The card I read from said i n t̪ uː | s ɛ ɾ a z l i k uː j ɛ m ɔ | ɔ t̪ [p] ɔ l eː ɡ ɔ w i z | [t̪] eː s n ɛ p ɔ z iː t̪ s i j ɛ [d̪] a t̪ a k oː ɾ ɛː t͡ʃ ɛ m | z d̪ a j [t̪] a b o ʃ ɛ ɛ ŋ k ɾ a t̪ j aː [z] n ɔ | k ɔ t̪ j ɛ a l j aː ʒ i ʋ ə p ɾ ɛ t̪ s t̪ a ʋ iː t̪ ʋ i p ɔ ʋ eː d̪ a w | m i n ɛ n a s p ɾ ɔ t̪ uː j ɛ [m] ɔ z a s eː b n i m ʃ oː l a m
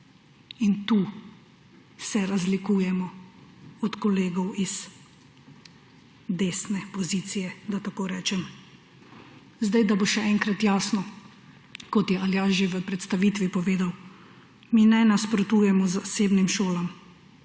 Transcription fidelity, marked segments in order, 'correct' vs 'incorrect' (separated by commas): incorrect, incorrect, correct, incorrect, incorrect, correct